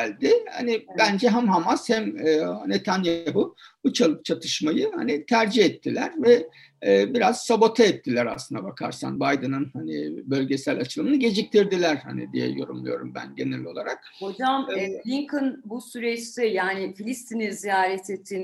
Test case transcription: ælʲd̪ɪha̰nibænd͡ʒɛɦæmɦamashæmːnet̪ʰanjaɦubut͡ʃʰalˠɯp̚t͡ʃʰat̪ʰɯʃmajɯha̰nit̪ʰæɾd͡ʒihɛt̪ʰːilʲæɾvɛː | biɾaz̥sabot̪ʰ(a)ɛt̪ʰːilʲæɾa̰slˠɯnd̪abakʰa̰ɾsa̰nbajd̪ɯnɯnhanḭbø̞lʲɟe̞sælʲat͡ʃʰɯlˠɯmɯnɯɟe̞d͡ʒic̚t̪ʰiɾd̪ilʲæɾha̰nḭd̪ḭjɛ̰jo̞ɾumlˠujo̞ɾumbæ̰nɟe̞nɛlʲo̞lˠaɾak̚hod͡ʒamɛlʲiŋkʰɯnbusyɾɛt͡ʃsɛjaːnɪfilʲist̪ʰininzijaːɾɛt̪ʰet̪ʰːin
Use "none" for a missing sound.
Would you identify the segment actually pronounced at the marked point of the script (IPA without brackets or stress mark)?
a